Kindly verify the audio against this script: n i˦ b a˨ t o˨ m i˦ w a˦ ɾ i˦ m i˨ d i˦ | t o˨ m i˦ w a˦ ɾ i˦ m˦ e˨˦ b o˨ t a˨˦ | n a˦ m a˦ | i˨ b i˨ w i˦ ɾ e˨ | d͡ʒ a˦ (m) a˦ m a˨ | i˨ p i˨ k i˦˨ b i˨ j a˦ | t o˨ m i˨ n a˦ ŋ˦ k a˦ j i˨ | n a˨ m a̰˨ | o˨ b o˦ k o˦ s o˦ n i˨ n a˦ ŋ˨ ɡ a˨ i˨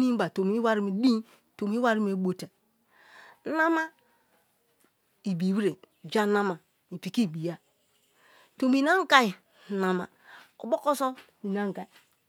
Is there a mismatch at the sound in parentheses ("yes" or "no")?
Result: yes